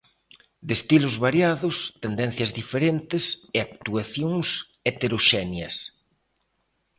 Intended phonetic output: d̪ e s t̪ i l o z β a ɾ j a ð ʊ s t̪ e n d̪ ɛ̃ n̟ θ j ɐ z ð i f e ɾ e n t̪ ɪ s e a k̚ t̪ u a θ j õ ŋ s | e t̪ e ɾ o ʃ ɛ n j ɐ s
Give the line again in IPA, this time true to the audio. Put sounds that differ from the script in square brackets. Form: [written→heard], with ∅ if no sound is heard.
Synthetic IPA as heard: d̪ e s t̪ i l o z β a ɾ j a ð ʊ s t̪ e n d̪ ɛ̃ n̟ θ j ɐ z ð i f e ɾ e n t̪ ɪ s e a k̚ t̪ u a θ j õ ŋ s | e t̪ e ɾ o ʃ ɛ n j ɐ s